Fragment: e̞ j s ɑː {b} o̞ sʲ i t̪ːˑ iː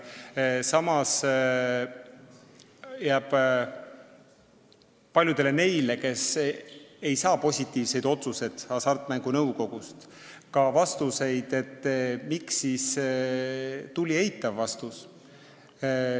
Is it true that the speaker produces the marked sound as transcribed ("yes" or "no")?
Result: no